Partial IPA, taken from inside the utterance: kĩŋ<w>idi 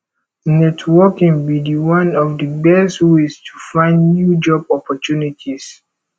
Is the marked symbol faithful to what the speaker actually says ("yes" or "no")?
no